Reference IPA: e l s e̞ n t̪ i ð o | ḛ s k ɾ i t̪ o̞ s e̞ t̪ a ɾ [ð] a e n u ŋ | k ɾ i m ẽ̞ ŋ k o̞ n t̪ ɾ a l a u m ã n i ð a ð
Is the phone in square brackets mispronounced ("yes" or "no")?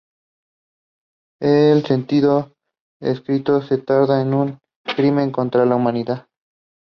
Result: no